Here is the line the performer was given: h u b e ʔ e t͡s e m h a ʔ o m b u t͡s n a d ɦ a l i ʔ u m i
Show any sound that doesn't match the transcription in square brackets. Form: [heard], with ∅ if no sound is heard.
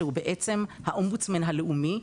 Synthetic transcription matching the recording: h u b e ʔ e t͡s e m h a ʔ o m b u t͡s [m] a [n] ɦ a l [e] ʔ u m i